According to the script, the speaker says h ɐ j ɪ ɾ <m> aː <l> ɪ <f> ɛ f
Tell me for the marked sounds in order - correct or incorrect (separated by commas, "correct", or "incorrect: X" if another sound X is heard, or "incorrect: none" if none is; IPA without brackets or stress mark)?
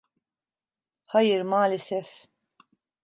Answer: correct, correct, incorrect: s